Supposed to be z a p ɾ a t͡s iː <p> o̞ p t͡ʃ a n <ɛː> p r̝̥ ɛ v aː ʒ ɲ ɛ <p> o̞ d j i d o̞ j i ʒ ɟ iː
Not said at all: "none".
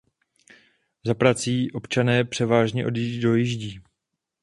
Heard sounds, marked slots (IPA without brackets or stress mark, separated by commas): ʔ, ɛː, ʔ